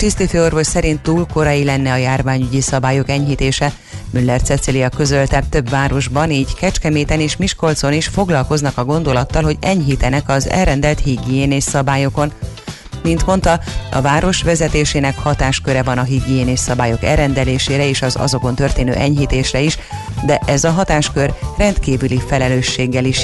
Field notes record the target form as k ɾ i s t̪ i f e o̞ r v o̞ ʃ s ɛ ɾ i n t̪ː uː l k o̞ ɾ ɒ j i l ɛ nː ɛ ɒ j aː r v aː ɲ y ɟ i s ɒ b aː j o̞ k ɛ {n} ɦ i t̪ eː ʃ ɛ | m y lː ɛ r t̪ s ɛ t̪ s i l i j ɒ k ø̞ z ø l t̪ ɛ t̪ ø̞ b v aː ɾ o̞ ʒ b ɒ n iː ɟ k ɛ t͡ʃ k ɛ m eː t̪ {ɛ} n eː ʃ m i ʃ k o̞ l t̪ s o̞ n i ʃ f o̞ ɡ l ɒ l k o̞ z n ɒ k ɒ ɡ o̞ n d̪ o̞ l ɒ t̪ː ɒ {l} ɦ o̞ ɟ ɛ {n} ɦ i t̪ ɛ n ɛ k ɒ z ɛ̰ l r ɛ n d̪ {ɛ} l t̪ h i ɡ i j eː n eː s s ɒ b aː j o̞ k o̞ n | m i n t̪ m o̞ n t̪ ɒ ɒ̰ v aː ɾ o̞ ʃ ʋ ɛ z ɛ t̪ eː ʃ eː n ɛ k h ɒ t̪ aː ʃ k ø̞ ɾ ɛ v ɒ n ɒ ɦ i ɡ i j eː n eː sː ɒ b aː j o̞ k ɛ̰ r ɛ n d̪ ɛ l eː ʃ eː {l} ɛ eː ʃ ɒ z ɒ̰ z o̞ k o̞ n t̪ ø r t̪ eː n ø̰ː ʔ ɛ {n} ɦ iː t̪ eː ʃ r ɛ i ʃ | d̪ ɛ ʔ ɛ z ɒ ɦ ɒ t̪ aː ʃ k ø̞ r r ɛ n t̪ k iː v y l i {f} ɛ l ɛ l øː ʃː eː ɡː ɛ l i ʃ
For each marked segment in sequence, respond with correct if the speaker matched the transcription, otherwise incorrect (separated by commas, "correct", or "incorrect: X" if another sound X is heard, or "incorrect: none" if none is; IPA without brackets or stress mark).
incorrect: ɲ, correct, correct, incorrect: ɲ, correct, incorrect: ɾ, incorrect: ɲ, correct